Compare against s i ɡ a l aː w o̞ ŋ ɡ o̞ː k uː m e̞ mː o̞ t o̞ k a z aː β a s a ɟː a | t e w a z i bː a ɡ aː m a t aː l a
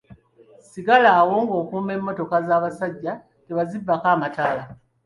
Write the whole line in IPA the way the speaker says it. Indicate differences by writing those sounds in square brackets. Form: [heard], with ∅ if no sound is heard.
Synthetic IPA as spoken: s i ɡ a l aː w o̞ ŋ ɡ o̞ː k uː m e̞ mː o̞ t o̞ k a z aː β a s a ɟː a | t e [β] a z i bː a [k] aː m a t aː l a